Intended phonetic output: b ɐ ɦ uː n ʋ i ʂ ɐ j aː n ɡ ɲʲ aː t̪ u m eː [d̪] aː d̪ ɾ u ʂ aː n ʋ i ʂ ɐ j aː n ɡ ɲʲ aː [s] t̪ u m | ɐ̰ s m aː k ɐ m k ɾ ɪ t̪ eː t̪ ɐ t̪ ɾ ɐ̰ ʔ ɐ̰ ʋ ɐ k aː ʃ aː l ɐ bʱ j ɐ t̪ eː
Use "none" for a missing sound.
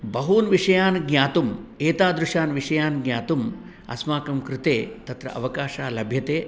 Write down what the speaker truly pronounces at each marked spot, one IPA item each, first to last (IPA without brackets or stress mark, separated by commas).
t̪, none